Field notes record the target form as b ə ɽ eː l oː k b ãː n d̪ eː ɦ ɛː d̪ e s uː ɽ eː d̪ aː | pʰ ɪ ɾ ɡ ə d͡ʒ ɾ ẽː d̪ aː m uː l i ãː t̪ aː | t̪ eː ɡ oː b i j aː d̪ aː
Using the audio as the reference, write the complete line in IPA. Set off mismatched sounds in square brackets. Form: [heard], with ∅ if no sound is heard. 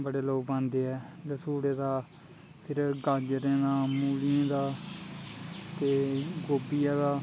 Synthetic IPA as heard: b ə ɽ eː l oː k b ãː n d̪ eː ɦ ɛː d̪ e s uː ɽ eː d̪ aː | pʰ ɪ ɾ ɡ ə d͡ʒ ɾ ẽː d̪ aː m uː l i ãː [d̪] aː | t̪ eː ɡ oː b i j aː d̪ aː